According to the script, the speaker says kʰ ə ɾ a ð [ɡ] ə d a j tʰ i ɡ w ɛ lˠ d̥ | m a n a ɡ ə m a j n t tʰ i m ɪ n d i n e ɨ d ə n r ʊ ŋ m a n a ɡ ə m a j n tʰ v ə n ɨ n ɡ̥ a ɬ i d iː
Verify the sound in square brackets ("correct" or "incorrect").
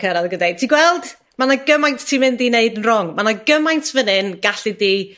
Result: correct